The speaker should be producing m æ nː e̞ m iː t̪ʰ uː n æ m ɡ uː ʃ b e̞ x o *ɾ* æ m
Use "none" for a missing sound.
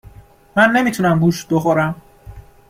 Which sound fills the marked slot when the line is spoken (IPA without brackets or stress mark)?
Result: ɾ